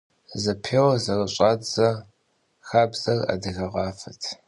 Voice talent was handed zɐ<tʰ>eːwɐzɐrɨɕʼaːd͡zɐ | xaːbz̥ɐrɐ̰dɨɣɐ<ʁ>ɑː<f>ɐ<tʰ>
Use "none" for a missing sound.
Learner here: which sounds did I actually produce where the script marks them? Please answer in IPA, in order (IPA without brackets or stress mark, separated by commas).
pʰ, ʁ, f, tʰ